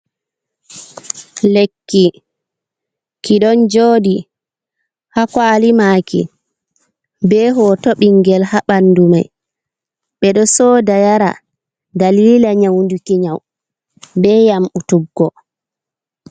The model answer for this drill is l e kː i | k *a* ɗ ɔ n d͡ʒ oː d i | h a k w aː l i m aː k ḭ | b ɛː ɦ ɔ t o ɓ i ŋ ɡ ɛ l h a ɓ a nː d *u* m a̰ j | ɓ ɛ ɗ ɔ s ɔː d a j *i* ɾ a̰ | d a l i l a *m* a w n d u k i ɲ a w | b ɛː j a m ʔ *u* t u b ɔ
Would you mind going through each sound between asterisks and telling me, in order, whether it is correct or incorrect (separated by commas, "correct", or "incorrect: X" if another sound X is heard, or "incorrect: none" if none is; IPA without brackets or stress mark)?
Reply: incorrect: i, correct, incorrect: a, incorrect: ɲ, correct